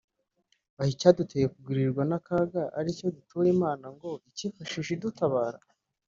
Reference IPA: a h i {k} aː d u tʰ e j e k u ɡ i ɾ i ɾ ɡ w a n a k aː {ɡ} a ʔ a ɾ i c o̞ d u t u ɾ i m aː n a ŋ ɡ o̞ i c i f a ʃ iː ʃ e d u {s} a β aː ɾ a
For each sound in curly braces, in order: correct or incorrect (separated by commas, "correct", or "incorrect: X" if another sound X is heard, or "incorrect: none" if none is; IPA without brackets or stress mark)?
incorrect: c, correct, incorrect: t